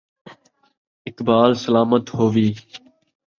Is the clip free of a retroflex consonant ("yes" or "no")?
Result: yes